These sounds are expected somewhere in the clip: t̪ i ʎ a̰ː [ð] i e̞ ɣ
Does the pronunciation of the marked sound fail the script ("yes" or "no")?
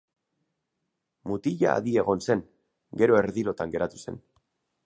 no